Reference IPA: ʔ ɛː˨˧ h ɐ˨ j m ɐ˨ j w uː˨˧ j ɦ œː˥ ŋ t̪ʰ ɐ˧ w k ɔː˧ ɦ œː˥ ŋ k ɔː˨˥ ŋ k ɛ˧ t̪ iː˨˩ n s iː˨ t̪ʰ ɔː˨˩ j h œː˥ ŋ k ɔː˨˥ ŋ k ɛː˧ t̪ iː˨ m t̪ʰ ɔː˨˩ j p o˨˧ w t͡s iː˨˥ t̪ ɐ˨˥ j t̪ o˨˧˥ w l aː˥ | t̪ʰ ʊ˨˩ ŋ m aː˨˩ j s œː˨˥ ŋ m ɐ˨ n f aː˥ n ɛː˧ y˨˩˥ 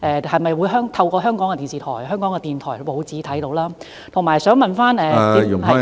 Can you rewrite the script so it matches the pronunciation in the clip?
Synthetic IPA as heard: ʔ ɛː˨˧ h ɐ˨ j m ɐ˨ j w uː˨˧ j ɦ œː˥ ŋ t̪ʰ ɐ˧ w k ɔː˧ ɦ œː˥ ŋ k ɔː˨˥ ŋ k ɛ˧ t̪ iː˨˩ n s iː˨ t̪ʰ ɔː˨˩ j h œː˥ ŋ k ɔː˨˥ ŋ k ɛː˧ t̪ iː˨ n t̪ʰ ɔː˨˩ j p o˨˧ w t͡s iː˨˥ t̪ʰ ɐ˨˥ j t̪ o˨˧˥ w l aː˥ | t̪ʰ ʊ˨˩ ŋ m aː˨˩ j s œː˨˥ ŋ m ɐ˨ n f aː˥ n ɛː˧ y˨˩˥